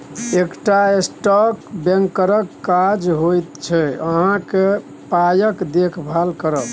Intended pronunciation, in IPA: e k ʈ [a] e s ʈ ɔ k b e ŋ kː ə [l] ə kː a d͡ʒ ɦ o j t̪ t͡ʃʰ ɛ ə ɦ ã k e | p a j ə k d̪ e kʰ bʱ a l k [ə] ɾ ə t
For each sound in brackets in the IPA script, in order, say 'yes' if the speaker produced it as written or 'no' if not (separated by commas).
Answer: yes, no, yes